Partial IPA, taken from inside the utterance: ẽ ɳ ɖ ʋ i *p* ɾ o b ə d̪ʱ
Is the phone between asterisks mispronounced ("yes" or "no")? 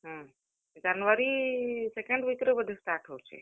yes